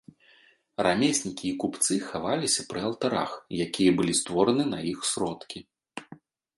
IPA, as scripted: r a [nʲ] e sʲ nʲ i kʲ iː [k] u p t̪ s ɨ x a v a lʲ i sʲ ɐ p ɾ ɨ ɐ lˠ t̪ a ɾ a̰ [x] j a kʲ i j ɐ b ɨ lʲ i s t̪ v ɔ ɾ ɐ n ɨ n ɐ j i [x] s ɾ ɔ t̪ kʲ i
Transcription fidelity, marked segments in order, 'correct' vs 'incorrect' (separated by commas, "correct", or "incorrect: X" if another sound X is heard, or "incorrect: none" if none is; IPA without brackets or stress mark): incorrect: mʲ, correct, correct, correct